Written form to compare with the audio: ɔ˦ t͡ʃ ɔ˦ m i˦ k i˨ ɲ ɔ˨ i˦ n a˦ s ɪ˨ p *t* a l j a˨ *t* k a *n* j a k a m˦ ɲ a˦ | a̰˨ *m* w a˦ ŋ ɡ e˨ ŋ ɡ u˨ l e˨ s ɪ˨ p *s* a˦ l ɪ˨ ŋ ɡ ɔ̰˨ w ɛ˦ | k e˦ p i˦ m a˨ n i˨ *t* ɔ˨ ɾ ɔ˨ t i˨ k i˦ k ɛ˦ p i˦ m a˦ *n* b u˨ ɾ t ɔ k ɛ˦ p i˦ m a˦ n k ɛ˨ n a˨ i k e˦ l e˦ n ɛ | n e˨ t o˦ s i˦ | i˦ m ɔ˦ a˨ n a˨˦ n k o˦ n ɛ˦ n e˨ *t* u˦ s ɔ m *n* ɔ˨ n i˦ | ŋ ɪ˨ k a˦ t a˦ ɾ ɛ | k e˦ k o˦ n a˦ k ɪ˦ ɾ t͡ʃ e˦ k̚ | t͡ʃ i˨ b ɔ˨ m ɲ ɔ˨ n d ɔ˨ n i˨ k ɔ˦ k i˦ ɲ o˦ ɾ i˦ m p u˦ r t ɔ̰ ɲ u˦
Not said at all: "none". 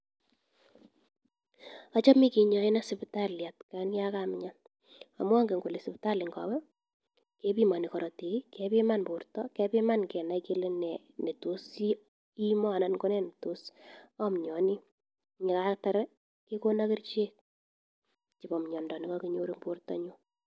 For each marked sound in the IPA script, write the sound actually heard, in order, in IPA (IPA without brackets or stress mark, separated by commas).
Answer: t, t, n, m, t, k, n, t, ɲ